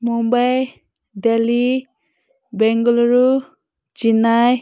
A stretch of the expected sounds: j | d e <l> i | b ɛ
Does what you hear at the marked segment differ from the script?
no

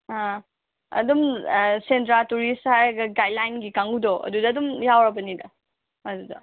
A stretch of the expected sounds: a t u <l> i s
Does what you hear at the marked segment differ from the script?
yes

